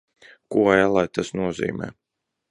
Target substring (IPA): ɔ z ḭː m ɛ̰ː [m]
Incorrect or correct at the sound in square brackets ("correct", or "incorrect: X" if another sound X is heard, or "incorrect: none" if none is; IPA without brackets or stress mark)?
incorrect: none